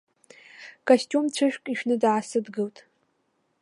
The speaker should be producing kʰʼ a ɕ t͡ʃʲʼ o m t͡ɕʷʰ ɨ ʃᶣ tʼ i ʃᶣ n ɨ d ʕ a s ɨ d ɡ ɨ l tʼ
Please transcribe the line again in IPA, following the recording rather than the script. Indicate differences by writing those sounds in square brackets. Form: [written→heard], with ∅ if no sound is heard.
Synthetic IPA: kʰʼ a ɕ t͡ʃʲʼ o m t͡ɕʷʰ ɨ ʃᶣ [tʼ→kʼ] i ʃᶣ n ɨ d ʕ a s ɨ d ɡ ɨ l tʼ